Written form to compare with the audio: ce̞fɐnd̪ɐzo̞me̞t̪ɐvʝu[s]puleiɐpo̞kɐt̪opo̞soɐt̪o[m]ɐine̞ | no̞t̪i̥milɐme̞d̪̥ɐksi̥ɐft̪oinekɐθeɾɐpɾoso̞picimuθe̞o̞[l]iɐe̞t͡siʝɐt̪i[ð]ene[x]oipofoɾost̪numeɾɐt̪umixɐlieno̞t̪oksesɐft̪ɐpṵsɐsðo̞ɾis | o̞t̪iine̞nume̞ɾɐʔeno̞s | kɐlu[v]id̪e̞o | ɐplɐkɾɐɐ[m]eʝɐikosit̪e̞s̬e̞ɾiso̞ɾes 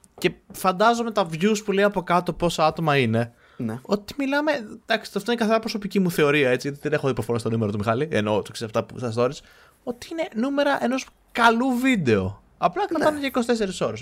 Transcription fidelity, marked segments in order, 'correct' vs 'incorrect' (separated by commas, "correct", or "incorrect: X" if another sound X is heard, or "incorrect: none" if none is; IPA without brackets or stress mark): correct, correct, incorrect: ɾ, correct, correct, correct, incorrect: n